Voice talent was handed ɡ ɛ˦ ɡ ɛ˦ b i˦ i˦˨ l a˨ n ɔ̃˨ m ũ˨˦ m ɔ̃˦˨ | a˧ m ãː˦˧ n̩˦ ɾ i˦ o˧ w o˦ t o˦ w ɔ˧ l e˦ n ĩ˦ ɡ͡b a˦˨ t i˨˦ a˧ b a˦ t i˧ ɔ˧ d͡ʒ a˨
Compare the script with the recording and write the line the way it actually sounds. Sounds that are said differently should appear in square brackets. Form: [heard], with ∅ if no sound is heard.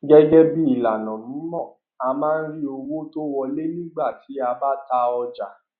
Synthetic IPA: ɡ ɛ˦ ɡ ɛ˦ b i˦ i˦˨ l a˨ n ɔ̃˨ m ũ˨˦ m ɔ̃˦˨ | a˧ m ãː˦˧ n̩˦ ɾ i˦ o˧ w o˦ t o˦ w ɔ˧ l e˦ n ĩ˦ ɡ͡b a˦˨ t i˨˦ a˧ b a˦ t [a˧] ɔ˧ d͡ʒ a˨